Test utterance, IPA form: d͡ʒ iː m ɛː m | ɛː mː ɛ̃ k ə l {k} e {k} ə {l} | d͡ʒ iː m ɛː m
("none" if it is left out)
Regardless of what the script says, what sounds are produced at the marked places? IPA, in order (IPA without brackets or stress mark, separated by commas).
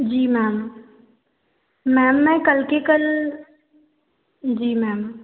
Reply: k, k, l